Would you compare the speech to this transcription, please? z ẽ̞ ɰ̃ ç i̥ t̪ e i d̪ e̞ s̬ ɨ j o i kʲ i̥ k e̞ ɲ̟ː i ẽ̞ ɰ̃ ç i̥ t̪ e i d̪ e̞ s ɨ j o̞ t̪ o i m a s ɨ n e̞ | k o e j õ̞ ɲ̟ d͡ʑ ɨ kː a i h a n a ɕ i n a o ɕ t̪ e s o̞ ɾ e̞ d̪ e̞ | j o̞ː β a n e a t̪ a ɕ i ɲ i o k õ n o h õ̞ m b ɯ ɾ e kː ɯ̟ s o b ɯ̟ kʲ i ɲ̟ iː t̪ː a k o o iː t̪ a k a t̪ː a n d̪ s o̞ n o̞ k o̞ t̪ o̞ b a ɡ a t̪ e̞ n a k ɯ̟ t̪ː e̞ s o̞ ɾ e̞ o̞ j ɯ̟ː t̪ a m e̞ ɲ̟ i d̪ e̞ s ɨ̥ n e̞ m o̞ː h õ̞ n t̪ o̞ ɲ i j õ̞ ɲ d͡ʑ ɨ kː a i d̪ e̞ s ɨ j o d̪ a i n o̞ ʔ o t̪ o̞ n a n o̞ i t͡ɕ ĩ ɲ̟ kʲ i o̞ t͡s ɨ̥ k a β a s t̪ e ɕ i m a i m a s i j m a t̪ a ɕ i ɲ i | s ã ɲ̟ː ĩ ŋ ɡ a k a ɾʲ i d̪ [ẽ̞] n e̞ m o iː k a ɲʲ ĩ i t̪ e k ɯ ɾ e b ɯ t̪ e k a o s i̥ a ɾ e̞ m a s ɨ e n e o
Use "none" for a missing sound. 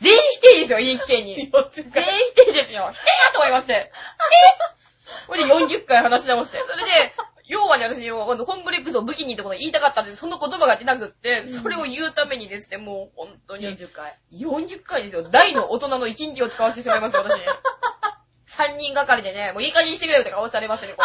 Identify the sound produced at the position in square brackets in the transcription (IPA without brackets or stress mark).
e̞